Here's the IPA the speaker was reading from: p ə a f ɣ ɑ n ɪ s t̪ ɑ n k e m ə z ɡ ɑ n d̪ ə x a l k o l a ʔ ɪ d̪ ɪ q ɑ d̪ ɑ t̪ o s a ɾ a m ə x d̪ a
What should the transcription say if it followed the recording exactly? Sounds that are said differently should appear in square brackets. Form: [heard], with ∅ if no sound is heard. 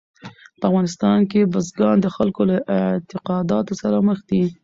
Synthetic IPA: p ə a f ɣ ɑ n ɪ s t̪ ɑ n k e [b] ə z ɡ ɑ n d̪ ə x a l k o l a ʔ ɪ [t̪] ɪ q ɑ d̪ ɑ t̪ o s a ɾ a m ə x d̪ [i]